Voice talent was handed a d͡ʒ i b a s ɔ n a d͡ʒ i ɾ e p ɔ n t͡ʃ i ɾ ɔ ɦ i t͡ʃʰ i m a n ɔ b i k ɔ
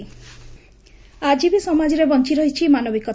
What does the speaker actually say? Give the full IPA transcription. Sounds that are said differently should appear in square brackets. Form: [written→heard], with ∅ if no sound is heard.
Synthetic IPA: a d͡ʒ i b [a→i] s ɔ [n→m] a d͡ʒ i ɾ e [p→b] ɔ n t͡ʃ i ɾ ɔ ɦ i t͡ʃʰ i m a n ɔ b i k ɔ